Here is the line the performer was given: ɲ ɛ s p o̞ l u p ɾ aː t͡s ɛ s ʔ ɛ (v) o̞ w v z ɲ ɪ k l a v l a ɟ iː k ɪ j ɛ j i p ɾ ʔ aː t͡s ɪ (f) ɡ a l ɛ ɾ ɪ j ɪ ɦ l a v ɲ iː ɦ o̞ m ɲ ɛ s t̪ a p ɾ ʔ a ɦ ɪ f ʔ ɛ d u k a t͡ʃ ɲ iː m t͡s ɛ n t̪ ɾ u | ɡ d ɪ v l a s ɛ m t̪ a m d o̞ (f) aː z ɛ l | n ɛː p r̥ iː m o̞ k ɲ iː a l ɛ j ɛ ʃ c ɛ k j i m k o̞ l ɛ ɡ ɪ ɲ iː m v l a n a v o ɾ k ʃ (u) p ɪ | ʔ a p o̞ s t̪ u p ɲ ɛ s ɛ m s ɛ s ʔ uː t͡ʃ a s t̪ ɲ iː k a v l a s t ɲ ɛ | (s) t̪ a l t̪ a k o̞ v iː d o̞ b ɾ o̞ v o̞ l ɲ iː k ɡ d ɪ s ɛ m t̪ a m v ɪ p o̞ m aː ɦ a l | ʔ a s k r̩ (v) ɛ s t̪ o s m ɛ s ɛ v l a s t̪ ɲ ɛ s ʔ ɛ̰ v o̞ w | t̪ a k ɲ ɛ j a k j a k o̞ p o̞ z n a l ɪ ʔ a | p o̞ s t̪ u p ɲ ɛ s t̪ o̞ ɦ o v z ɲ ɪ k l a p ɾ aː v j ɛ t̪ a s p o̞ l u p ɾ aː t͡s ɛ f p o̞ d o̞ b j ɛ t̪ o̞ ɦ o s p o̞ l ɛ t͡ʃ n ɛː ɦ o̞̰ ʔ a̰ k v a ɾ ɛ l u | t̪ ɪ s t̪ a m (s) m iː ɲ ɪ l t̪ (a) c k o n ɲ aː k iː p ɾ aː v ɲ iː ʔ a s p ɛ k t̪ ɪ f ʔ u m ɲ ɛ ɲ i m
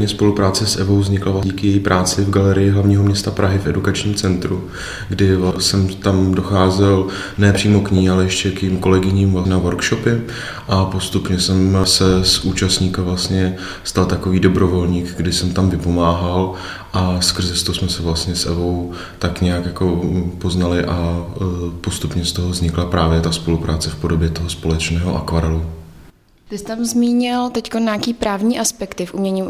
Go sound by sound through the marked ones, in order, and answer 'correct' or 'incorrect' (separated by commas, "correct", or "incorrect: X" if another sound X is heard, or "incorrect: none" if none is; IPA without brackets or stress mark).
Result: correct, incorrect: v, incorrect: x, incorrect: o, correct, incorrect: z, incorrect: z, incorrect: ɛ